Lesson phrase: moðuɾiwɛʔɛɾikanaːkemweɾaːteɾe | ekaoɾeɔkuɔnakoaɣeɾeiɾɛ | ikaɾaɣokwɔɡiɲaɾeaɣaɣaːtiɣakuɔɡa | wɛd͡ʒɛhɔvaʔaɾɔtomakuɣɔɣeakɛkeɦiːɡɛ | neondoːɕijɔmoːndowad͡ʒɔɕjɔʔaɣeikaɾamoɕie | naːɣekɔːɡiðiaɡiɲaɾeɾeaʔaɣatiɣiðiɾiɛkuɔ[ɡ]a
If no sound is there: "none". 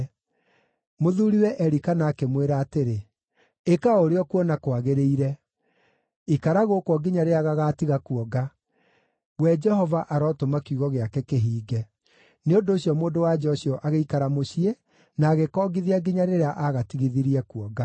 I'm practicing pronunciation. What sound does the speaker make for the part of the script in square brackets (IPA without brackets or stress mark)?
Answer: ɡ